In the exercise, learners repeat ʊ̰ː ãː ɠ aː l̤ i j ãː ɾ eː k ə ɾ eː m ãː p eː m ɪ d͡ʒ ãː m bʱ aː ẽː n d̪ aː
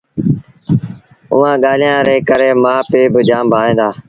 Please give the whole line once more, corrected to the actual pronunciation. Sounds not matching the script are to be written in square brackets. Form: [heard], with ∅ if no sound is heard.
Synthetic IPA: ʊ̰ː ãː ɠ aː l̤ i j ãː ɾ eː k ə ɾ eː m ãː p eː [b] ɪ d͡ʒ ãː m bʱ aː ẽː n d̪ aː